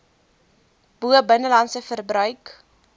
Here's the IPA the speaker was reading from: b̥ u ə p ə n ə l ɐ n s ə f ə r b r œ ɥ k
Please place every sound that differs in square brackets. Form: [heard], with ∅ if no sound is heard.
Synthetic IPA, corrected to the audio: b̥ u ə [b] ə n ə l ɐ n s ə f ə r b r œ ɥ k